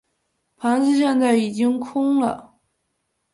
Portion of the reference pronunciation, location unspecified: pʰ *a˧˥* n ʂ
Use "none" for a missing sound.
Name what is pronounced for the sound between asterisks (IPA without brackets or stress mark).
a˧˥